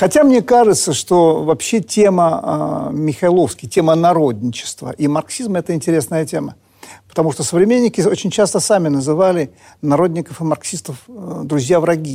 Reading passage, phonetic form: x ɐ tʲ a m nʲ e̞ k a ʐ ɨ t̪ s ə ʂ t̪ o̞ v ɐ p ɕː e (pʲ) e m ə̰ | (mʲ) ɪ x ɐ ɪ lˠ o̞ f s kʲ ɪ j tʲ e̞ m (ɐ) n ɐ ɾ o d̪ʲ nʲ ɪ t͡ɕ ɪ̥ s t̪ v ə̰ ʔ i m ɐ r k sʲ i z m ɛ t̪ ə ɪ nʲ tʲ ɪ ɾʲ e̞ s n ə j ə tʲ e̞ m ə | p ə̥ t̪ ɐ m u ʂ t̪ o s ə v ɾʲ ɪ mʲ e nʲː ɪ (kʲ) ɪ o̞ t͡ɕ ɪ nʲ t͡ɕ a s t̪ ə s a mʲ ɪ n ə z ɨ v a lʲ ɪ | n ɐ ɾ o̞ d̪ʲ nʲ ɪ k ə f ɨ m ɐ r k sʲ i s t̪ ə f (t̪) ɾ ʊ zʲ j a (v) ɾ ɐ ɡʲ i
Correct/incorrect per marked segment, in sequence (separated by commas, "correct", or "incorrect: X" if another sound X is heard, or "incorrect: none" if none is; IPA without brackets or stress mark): incorrect: tʲ, correct, incorrect: ə, correct, incorrect: d̪, correct